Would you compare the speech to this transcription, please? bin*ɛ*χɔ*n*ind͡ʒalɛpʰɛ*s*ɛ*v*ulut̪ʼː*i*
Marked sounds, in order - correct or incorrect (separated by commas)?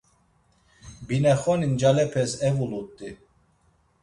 correct, correct, correct, correct, correct